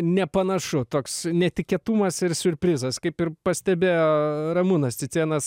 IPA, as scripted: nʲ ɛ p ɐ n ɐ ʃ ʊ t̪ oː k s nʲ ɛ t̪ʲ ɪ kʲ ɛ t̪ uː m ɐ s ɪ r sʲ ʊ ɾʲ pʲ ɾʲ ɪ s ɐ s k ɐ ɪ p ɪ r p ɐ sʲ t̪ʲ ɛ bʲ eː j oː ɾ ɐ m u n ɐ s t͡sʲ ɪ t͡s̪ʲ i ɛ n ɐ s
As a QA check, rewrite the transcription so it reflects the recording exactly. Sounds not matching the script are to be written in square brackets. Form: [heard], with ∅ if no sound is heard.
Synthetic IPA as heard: nʲ ɛ p ɐ n ɐ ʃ ʊ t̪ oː k s nʲ ɛ t̪ʲ ɪ kʲ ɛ t̪ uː m ɐ s ɪ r sʲ ʊ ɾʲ pʲ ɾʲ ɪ [z] ɐ s k ɐ ɪ p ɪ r p ɐ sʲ t̪ʲ ɛ bʲ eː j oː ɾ ɐ m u n ɐ s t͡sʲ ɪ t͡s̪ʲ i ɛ n ɐ s